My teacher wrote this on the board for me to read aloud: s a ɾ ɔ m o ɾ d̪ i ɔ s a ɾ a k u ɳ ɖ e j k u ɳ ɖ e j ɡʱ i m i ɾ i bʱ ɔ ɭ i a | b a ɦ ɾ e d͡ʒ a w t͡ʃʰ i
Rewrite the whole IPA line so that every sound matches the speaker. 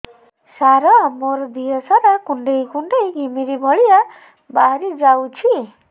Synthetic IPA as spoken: s a ɾ ɔ m o ɾ d̪ i ɔ s a ɾ a k u ɳ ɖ e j k u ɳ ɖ e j ɡʱ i m i ɾ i bʱ ɔ ɭ i a | b a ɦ ɾ i d͡ʒ a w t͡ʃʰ i